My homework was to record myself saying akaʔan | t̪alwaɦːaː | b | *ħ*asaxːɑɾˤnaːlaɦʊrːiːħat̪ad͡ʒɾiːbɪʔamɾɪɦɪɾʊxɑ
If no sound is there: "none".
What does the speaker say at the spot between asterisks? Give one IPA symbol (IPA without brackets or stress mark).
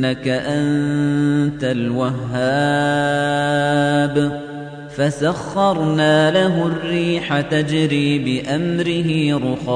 f